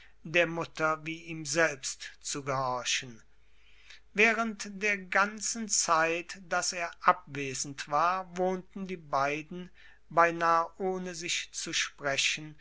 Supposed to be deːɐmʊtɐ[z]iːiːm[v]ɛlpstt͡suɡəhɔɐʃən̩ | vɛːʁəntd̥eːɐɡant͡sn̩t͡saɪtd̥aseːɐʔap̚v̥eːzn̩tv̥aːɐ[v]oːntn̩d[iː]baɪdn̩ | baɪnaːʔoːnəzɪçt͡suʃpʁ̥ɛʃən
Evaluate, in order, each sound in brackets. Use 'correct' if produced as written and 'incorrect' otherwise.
incorrect: v, incorrect: z, correct, correct

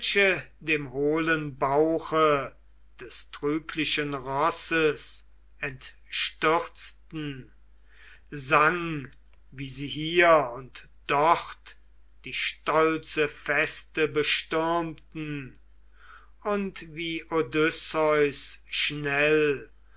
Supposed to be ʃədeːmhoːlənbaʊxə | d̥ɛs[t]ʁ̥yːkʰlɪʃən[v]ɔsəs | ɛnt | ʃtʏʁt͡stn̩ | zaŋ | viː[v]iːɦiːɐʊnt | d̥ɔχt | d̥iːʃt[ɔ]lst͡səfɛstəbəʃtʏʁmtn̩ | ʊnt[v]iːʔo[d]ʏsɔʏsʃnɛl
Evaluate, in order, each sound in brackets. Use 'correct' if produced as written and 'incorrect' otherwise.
correct, incorrect: ʁ, incorrect: z, correct, correct, correct

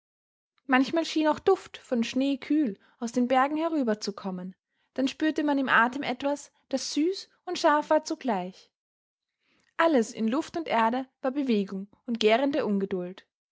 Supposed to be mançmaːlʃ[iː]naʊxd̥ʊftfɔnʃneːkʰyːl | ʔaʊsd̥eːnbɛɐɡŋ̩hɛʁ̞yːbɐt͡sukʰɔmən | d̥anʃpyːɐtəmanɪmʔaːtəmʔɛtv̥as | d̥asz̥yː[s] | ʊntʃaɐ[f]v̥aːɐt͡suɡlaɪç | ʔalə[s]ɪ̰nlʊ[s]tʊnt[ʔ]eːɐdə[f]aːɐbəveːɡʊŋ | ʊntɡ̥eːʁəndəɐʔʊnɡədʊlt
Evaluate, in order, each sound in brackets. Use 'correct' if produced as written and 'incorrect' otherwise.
correct, correct, correct, correct, incorrect: f, correct, incorrect: v

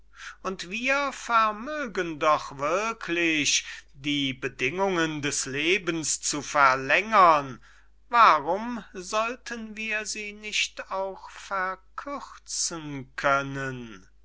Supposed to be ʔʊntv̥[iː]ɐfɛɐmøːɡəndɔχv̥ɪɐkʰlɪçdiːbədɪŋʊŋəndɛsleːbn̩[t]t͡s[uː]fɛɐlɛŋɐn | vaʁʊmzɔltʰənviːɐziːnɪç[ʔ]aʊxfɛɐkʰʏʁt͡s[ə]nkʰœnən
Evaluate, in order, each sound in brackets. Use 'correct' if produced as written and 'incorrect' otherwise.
correct, incorrect: s, incorrect: u, incorrect: t, correct

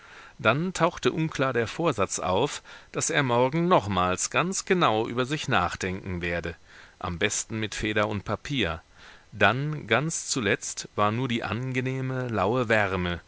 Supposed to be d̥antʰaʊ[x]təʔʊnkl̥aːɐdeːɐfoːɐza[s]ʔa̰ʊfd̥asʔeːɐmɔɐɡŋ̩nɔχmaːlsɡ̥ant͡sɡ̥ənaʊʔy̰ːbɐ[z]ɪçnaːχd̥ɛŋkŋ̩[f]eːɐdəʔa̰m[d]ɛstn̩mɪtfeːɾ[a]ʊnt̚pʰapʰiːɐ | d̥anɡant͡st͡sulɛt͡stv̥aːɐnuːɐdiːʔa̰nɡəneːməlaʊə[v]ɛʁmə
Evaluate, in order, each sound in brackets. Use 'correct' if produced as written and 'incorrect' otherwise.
correct, incorrect: t͡s, correct, incorrect: v, incorrect: b, incorrect: ɐ, correct

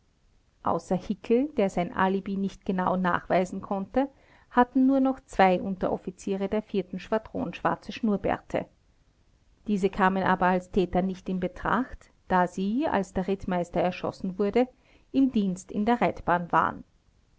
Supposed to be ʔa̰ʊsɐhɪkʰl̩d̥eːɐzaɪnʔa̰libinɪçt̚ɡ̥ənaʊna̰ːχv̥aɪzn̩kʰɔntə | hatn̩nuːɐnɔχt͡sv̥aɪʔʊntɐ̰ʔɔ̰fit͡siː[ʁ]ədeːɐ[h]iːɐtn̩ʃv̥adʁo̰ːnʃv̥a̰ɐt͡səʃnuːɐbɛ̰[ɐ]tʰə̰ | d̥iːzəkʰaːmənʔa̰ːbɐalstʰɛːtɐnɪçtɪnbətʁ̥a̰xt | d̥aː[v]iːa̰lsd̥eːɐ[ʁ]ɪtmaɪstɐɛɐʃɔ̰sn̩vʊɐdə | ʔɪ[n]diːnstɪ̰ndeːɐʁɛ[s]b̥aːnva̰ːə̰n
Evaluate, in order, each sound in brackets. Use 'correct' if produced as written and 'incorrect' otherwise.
correct, incorrect: f, correct, incorrect: z, correct, incorrect: m, incorrect: t

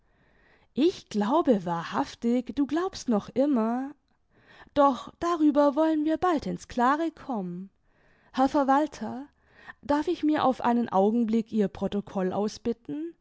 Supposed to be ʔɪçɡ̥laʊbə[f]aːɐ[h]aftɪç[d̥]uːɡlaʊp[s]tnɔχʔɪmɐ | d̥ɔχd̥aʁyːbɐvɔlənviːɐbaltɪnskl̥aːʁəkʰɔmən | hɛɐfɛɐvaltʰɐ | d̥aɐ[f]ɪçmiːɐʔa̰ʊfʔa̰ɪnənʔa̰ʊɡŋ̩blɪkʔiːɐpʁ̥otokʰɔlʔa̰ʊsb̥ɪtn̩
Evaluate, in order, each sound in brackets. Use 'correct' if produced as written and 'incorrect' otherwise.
incorrect: v, correct, correct, correct, correct

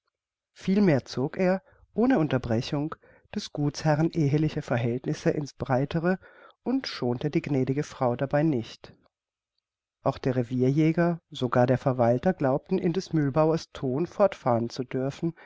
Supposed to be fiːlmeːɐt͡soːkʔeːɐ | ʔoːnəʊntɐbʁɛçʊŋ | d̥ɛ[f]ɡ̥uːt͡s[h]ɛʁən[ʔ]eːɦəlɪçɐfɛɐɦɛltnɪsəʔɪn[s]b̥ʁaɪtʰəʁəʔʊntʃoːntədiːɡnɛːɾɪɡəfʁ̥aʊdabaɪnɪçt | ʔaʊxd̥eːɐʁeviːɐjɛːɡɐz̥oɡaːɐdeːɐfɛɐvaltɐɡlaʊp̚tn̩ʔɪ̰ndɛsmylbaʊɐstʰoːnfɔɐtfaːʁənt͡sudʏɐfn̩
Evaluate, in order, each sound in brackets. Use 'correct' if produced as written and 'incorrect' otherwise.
incorrect: s, correct, correct, correct

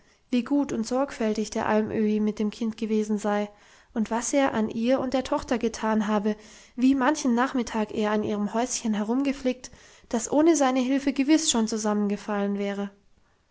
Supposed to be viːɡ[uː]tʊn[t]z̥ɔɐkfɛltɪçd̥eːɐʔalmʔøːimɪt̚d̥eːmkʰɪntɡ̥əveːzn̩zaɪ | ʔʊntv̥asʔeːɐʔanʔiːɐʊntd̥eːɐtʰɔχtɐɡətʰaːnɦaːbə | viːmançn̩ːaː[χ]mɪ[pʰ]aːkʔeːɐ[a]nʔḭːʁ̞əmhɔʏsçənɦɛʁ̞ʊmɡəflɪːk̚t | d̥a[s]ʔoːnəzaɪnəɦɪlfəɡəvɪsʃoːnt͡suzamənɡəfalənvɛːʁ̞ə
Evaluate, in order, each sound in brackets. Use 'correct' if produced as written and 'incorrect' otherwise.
correct, correct, correct, incorrect: tʰ, correct, correct

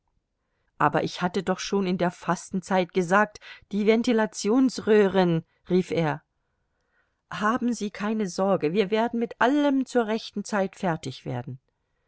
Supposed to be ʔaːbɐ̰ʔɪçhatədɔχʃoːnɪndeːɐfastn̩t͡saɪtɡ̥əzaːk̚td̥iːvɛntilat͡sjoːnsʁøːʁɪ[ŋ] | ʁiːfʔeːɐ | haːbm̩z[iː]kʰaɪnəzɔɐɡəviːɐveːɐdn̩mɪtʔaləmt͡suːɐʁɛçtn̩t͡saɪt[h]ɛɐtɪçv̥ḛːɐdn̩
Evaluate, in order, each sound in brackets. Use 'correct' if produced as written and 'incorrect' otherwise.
incorrect: n, correct, incorrect: f

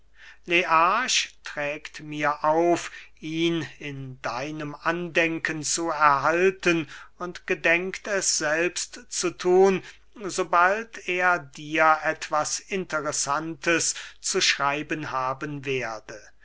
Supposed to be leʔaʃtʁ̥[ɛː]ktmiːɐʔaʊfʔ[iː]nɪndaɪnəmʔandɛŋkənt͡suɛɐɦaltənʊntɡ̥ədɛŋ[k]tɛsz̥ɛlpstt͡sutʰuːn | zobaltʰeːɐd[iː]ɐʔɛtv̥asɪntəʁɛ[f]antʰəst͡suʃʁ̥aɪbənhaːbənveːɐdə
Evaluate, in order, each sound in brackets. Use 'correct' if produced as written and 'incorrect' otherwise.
correct, correct, correct, correct, incorrect: s

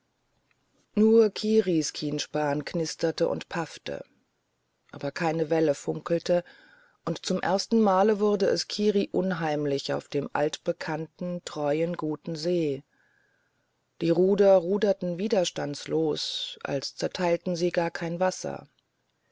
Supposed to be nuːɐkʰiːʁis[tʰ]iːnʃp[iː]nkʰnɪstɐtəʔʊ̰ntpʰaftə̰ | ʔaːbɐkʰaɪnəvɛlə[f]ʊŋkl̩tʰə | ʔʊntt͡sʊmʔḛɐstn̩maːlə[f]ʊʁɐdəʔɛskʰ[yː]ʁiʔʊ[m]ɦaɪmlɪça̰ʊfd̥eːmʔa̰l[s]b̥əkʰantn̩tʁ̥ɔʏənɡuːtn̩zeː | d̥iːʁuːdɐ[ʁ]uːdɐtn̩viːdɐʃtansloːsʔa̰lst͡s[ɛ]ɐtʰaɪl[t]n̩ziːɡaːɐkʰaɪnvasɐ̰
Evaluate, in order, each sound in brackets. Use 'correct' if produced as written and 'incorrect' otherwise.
incorrect: kʰ, incorrect: aː, correct, incorrect: v, incorrect: iː, incorrect: n, incorrect: t, correct, correct, correct

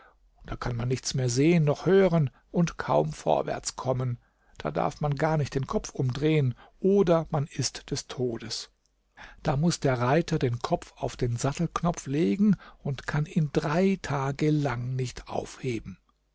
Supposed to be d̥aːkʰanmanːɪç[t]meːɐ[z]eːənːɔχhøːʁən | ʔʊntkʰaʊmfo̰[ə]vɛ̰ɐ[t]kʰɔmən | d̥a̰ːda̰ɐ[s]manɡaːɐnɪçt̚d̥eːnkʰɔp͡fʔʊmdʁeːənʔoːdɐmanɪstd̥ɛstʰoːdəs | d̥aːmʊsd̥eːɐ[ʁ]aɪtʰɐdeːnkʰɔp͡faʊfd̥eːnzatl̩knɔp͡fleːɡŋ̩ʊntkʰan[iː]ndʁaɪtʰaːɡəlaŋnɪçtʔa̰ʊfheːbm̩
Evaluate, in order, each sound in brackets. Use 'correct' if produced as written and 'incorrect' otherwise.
incorrect: t͡s, correct, incorrect: ɐ, incorrect: t͡s, incorrect: f, correct, correct

